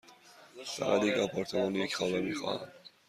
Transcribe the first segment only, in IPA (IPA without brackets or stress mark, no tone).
f